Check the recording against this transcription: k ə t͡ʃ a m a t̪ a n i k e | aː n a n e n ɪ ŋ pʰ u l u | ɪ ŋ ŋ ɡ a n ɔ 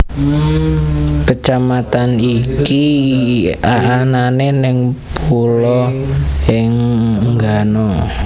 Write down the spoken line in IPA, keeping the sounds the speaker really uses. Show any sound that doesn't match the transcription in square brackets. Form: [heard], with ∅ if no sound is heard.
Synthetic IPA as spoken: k ə t͡ʃ a m a t̪ a n i k [i] | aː n a n e n ɪ ŋ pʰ u l [ɔ] | ɪ ŋ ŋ ɡ a n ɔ

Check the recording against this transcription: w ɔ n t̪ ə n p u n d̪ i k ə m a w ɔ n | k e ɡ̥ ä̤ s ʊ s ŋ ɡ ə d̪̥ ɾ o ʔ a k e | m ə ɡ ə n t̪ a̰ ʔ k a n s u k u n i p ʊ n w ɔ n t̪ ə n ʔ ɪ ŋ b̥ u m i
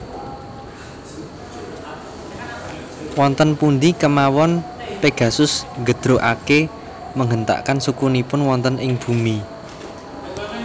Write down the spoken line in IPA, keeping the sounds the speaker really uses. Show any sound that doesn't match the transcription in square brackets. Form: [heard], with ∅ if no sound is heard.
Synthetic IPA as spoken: w ɔ n t̪ ə n p u n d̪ i k ə m a w ɔ n | [p] e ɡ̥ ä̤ s ʊ s ŋ ɡ ə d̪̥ ɾ o ʔ a k e | m ə [ŋ] ə n t̪ a̰ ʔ k a n s u k u n i p ʊ n w ɔ n t̪ ə n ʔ ɪ ŋ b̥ u m i

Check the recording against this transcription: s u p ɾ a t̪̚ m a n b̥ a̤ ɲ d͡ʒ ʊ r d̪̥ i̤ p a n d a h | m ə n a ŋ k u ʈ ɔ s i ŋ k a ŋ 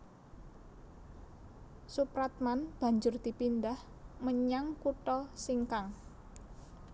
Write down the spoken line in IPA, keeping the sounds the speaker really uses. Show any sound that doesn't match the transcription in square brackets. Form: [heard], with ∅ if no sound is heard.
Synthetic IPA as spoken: s u p ɾ a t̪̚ m a n b̥ a̤ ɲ d͡ʒ ʊ r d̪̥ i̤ p [i] n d a h | m ə [ɲ] a ŋ k u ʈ ɔ s i ŋ k a ŋ

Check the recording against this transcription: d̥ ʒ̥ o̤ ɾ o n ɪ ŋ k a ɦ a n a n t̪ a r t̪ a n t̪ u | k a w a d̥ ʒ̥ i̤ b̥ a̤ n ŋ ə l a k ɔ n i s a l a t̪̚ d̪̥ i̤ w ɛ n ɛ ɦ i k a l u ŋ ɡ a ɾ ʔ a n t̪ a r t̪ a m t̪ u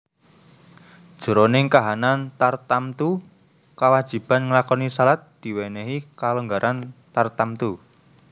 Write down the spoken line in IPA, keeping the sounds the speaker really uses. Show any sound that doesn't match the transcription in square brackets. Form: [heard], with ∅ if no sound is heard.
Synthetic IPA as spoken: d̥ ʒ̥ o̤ ɾ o n ɪ ŋ k a ɦ a n a n t̪ a r t̪ a [m] t̪ u | k a w a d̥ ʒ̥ i̤ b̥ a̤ n ŋ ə l a k ɔ n i s a l a t̪̚ d̪̥ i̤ w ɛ n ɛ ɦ i k a l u ŋ ɡ a ɾ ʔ a n t̪ a r t̪ a m t̪ u

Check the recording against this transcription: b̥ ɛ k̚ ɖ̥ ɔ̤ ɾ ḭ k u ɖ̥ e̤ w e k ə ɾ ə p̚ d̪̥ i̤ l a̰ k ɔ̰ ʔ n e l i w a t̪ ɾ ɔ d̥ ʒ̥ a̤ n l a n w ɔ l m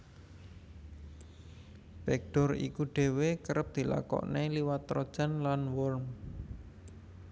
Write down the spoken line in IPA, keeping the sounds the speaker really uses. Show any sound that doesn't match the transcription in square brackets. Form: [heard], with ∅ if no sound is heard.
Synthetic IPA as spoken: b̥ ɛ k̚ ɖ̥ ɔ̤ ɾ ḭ k u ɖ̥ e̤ w e k ə ɾ ə p̚ d̪̥ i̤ l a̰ k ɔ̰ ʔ n e l i w a t̪ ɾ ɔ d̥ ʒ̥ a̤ n l a n w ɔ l m

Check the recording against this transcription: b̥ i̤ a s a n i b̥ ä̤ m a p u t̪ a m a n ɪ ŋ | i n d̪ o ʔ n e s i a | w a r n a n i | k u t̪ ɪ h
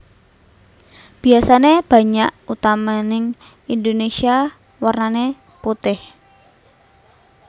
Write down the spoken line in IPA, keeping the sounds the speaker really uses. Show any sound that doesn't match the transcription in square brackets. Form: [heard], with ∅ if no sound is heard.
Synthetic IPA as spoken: b̥ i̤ a s a n [e] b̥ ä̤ [ɲ] a [ʔ] u t̪ a m a n ɪ ŋ | i n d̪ o [∅] n e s i a | w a r n a n [e] | [p] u t̪ ɪ h

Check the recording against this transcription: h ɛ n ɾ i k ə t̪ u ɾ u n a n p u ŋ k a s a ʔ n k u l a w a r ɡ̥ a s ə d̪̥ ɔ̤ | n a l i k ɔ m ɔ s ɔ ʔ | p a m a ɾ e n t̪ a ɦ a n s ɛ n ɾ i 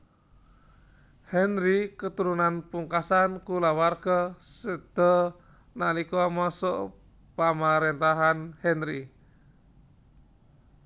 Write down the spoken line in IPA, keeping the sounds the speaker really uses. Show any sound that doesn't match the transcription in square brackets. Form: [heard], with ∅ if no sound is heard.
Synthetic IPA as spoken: h ɛ n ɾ i k ə t̪ u ɾ u n a n p u ŋ k a s a [∅] n k u l a w a r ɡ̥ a s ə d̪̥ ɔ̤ | n a l i k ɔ m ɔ s ɔ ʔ | p a m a ɾ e n t̪ a ɦ a n [h] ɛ n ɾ i

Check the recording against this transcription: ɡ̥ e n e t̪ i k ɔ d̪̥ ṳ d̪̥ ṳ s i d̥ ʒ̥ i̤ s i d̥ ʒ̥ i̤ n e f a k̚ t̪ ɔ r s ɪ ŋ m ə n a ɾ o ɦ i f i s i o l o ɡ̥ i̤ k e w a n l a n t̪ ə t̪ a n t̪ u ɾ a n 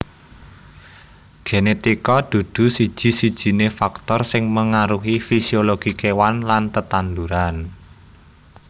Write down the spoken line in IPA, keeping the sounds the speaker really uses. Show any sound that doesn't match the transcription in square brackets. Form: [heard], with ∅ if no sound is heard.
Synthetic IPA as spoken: ɡ̥ e n e t̪ i k ɔ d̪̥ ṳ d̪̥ ṳ s i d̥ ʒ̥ i̤ s i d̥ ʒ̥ i̤ n e f a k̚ t̪ ɔ r s ɪ ŋ m ə [ŋ] a ɾ [u] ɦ i f i s i o l o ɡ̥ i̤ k e w a n l a n t̪ ə t̪ a n [d̪] u ɾ a n

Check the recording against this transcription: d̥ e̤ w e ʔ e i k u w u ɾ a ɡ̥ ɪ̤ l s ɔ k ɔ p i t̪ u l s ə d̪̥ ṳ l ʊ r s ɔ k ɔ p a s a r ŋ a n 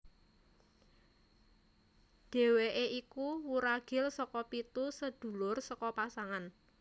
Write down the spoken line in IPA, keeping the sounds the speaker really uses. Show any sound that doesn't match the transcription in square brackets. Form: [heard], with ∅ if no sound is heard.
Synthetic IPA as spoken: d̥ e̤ w e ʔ e i k u w u ɾ a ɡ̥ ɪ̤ l s ɔ k ɔ p i t̪ u [∅] s ə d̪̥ ṳ l ʊ r s ɔ k ɔ p a s a [∅] ŋ a n

